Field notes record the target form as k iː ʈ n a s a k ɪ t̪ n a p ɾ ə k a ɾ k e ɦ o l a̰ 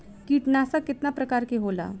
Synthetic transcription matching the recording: k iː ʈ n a s a k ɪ t̪ n a p ɾ ə k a ɾ k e ɦ o l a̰